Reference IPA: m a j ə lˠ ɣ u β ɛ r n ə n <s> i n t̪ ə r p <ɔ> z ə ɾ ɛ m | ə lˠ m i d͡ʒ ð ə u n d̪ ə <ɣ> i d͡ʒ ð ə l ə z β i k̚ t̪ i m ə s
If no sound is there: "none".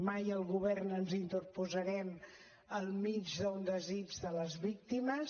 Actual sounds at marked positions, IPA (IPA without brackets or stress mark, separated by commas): z, u, z